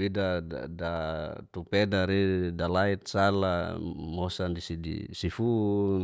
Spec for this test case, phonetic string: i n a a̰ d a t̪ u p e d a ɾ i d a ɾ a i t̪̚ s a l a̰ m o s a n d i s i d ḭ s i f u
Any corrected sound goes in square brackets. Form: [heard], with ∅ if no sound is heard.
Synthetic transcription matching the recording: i [d] a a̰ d a t̪ u p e d a ɾ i d a [l] a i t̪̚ s a l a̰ m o s a n d i s i d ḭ s i f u